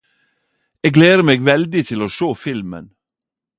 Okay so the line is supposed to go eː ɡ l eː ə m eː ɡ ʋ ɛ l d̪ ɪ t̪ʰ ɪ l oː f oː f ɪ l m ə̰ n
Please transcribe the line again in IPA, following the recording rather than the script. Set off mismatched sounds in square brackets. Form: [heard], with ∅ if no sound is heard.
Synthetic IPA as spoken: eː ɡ l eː ə m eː ɡ ʋ ɛ l d̪ ɪ t̪ʰ ɪ l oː [ʃ] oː f ɪ l m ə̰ n